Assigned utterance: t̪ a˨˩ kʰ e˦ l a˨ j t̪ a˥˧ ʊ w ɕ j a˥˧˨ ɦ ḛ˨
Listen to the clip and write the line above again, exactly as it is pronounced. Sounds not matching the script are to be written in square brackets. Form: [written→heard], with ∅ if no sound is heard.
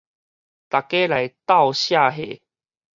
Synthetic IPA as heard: t̪ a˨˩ [kʰ→k] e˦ l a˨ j t̪ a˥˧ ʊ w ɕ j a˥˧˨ ɦ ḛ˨